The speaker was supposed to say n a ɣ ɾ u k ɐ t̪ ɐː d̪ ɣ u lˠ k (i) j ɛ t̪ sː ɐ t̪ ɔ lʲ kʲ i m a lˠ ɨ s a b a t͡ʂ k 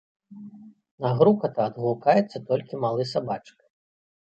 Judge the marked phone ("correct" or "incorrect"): incorrect